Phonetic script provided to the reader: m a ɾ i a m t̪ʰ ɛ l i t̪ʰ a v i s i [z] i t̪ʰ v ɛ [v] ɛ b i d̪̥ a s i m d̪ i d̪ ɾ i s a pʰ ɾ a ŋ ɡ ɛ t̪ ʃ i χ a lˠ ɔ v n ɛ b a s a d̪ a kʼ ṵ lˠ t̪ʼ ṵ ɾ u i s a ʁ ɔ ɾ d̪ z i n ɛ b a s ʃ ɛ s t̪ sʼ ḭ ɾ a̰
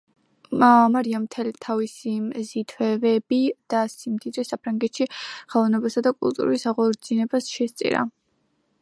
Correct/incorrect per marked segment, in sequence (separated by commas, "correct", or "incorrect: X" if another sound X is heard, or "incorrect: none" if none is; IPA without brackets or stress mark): correct, correct